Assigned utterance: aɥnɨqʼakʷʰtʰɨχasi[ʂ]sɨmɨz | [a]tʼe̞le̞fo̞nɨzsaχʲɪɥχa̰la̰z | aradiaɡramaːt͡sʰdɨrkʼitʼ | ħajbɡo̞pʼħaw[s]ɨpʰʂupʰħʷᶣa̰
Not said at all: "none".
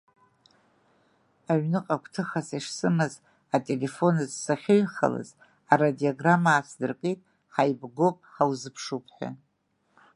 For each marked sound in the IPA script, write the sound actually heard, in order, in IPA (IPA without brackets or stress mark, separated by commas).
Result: ʂ, a, z